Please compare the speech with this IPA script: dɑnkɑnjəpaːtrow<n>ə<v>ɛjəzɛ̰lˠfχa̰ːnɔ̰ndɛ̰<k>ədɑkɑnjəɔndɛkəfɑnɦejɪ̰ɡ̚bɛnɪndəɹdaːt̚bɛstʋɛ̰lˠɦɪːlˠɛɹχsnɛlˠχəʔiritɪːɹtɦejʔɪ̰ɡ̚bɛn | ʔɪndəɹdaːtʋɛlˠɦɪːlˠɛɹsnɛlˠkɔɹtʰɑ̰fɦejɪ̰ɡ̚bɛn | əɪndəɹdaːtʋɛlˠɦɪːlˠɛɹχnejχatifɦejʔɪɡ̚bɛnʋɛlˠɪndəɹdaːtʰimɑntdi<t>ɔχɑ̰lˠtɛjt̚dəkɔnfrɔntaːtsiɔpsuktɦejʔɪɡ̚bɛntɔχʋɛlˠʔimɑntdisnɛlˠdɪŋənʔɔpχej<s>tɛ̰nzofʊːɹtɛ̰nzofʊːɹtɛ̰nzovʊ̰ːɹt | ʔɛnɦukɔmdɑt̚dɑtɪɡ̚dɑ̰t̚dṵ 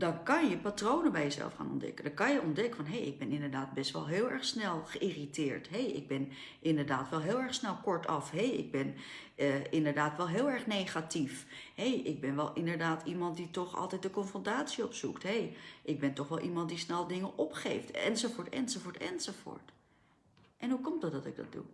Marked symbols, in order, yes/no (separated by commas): yes, no, yes, yes, no